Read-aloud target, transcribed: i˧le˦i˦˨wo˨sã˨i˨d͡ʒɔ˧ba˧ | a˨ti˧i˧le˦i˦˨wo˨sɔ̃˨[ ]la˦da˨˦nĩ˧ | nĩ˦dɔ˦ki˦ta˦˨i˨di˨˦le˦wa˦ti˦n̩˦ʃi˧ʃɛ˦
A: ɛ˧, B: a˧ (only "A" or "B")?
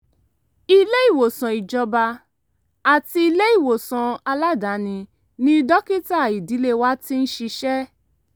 B